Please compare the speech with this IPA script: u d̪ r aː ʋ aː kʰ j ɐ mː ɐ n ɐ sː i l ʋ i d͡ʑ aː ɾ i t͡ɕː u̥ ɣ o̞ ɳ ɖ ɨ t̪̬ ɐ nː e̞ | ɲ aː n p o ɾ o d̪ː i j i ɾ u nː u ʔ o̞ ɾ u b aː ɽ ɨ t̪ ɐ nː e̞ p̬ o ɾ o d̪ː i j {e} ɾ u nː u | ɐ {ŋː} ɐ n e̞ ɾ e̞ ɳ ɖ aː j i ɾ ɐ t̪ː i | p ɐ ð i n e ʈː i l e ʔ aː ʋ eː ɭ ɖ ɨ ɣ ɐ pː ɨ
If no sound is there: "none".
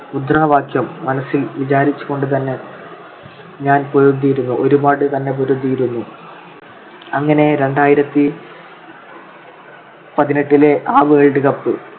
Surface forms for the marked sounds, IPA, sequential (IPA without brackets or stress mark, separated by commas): i, ŋː